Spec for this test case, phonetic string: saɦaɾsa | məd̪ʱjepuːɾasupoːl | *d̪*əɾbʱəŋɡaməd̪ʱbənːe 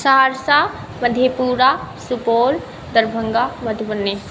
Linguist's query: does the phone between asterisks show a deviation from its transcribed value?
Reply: no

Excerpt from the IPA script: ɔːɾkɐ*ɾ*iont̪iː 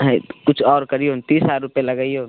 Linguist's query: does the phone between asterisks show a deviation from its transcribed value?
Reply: no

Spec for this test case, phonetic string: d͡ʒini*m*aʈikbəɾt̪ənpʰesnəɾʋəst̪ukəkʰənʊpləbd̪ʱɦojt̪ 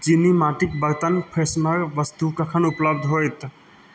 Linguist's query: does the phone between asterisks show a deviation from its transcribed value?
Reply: no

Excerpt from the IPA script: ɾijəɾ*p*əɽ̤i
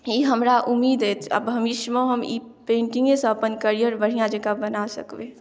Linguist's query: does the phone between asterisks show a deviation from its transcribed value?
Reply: yes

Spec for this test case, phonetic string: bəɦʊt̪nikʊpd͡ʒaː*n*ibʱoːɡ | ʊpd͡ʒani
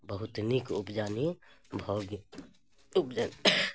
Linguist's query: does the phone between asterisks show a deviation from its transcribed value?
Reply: no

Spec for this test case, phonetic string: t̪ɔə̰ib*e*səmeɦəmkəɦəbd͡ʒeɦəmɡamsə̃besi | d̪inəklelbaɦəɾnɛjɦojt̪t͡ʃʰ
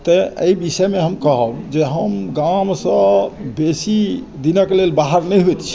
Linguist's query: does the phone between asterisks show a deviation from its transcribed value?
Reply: yes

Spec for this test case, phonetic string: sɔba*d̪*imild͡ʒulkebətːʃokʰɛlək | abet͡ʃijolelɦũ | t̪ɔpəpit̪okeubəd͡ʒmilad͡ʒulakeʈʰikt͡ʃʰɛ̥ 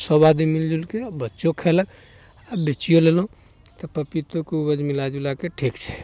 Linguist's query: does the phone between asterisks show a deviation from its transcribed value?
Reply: no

